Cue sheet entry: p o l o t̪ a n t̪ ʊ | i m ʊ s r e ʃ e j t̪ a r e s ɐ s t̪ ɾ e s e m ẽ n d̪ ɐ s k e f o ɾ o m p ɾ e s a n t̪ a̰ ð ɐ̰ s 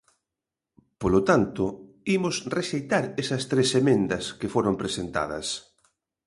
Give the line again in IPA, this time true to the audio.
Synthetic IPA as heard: p o l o t̪ a n t̪ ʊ | i m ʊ s r e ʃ e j t̪ a ɾ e s ɐ s t̪ ɾ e s e m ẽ n d̪ ɐ s k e f o ɾ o m p ɾ e s e n t̪ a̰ ð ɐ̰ s